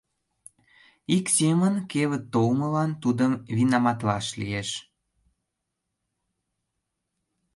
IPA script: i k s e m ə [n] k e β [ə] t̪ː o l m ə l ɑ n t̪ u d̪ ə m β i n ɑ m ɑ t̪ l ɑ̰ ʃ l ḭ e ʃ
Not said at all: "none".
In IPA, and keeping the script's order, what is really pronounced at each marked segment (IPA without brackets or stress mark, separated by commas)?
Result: n, ə